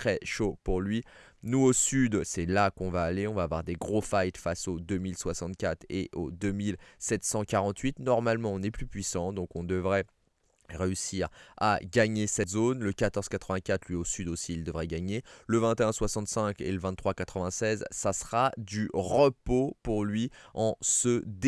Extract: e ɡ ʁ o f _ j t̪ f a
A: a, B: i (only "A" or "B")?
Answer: A